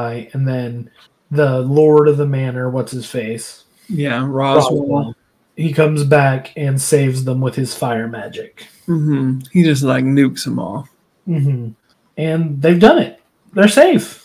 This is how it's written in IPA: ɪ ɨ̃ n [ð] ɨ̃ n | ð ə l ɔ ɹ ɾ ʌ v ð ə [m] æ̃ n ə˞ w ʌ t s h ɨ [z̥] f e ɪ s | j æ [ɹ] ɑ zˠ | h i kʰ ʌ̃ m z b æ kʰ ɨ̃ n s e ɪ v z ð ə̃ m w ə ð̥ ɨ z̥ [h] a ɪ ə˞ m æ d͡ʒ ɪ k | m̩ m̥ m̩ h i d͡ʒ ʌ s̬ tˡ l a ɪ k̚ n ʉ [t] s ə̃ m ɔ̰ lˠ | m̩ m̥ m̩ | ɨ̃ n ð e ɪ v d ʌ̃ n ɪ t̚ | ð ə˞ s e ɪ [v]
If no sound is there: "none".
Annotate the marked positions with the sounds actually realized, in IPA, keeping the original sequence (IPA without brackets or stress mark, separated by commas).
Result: ð, m, z̥, ɹ, f, k, f